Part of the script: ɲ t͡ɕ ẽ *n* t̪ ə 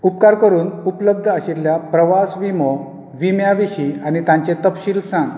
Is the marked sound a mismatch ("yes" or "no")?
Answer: yes